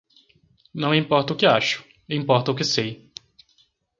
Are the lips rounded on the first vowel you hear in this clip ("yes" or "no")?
no